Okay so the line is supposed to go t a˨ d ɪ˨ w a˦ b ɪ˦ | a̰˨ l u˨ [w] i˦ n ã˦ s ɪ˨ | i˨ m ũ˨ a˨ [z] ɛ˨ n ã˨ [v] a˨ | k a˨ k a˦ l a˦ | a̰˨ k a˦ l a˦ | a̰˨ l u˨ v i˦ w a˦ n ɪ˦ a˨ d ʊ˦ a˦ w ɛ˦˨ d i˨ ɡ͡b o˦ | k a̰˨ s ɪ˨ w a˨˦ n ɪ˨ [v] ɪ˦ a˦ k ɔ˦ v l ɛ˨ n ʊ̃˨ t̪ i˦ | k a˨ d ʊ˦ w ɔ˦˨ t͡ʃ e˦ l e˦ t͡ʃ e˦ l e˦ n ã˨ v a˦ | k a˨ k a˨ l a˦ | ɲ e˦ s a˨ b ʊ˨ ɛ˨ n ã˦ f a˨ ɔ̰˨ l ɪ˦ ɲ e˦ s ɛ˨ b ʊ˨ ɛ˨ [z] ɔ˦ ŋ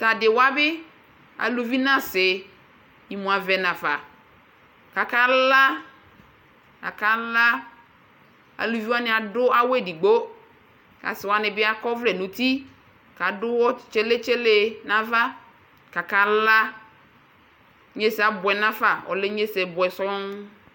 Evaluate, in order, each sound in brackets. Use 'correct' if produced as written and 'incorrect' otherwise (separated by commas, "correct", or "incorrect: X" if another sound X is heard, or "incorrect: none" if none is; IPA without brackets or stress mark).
incorrect: v, incorrect: v, incorrect: f, incorrect: b, incorrect: s